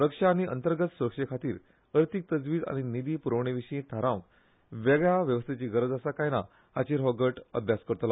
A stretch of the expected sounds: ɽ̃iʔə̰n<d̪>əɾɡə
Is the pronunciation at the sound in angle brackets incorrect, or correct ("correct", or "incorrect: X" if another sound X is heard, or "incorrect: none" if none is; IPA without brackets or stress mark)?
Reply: incorrect: t̪